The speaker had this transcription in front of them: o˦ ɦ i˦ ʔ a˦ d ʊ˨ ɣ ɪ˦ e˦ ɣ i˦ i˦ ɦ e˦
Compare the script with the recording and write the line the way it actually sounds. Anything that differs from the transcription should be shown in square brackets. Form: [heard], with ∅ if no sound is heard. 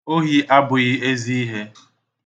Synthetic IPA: o˦ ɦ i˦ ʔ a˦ [b] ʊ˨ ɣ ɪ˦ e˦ [z] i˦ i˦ ɦ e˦